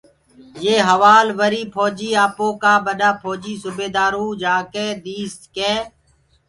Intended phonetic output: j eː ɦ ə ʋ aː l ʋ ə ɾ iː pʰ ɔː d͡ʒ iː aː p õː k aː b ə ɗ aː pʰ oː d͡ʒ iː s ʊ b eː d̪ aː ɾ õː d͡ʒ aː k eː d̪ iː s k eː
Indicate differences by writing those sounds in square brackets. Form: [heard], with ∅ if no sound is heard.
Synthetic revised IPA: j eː ɦ ə ʋ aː l ʋ ə ɾ iː pʰ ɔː d͡ʒ iː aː p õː k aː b ə ɗ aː pʰ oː d͡ʒ iː s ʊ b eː d̪ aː ɾ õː d͡ʒ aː k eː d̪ iː s k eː